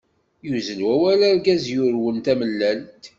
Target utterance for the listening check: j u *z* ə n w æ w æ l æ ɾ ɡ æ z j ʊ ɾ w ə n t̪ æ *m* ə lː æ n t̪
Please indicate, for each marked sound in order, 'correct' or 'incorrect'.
correct, correct

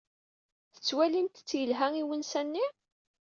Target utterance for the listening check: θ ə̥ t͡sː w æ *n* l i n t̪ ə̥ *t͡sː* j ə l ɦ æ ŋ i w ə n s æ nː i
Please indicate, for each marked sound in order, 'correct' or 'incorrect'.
incorrect, correct

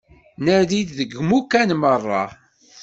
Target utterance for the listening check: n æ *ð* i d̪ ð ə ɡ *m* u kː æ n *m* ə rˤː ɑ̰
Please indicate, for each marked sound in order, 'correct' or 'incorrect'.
correct, correct, correct

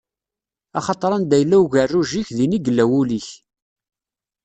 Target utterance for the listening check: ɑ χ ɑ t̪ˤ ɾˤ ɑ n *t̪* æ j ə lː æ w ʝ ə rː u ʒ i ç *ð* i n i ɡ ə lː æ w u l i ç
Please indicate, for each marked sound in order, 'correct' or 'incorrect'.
incorrect, correct

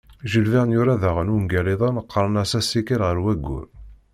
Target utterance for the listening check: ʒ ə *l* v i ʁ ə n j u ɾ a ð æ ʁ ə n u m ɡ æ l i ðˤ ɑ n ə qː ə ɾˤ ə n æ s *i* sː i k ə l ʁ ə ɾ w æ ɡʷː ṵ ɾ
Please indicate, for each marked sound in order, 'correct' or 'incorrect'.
correct, incorrect

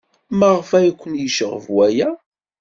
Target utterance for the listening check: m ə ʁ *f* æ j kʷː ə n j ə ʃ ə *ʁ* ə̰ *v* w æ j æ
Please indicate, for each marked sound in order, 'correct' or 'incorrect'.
correct, correct, correct

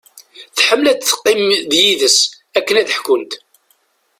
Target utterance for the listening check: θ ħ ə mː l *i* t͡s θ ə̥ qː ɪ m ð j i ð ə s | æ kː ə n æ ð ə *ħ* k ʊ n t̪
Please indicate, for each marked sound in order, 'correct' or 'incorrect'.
incorrect, correct

